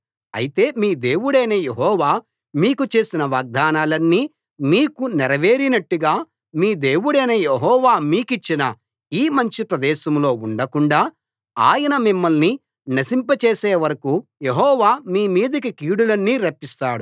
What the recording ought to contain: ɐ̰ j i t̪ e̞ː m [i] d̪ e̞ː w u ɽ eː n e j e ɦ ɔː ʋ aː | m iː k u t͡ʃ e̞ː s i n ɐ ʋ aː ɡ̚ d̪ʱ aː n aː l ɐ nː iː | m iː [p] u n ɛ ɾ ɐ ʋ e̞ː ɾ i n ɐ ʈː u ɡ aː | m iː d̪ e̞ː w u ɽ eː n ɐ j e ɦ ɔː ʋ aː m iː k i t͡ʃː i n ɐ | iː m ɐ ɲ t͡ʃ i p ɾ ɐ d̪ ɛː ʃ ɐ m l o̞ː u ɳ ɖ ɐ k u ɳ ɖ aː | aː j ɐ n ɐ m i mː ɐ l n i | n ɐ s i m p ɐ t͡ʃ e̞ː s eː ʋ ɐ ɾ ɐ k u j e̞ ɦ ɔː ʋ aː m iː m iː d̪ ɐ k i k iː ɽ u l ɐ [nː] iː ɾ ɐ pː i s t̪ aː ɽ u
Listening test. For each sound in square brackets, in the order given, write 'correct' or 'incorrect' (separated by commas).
incorrect, incorrect, correct